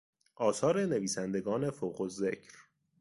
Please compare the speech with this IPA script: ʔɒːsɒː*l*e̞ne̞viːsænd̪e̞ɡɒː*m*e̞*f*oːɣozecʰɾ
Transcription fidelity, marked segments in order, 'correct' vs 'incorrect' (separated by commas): incorrect, incorrect, correct